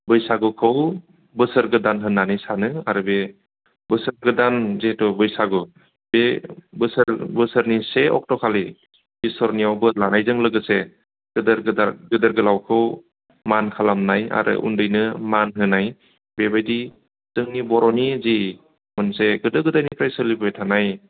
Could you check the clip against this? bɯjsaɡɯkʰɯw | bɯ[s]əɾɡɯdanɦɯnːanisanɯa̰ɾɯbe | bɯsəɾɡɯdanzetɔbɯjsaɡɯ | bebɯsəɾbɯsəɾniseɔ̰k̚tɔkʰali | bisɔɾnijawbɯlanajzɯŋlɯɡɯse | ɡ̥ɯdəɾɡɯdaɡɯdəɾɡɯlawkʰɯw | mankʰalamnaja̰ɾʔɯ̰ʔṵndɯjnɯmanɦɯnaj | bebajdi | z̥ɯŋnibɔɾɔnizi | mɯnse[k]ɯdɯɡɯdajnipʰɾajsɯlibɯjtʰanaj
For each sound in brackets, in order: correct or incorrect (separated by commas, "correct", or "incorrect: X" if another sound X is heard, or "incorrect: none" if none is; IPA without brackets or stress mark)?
correct, incorrect: ɡ